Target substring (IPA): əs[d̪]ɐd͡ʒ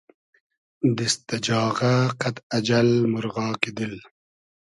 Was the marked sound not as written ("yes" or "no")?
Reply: yes